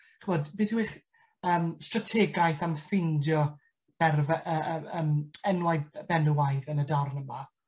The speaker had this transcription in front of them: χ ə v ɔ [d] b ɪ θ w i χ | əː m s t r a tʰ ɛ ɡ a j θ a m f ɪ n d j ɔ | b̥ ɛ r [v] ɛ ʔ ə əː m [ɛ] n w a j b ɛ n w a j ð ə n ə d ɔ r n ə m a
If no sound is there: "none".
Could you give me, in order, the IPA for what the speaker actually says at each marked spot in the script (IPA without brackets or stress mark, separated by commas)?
d, v, ɛ